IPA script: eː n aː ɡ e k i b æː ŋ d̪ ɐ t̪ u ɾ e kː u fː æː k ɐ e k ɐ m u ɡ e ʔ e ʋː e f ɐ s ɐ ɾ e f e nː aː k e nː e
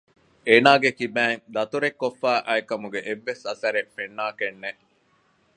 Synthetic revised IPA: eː n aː ɡ e k i b æː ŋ d̪ ɐ t̪ u ɾ e kː o fː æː ʔ ɐ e k ɐ m u ɡ e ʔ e ʋː e s ɐ s ɐ ɾ e f e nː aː k e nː e